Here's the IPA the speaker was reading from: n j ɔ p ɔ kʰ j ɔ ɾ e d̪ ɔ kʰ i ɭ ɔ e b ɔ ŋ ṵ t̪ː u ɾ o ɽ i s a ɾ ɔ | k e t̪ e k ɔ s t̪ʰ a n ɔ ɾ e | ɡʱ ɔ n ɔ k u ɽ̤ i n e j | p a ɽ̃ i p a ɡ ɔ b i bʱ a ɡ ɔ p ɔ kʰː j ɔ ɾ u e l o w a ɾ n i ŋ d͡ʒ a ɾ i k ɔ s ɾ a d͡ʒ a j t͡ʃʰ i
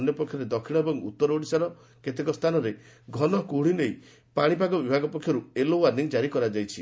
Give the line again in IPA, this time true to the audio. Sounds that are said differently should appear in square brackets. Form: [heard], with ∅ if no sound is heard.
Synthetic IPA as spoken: n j ɔ p ɔ kʰ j ɔ ɾ e d̪ ɔ kʰ i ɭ ɔ e b ɔ ŋ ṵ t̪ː [ɔ] ɾ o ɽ i s a ɾ ɔ | k e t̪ e k ɔ s t̪ʰ a n ɔ ɾ e | ɡʱ ɔ n ɔ k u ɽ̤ i n e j | p a ɽ̃ i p a ɡ ɔ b i bʱ a ɡ ɔ p ɔ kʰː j ɔ ɾ u e l o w a ɾ n i ŋ d͡ʒ a ɾ i k ɔ [∅] ɾ a d͡ʒ a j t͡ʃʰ i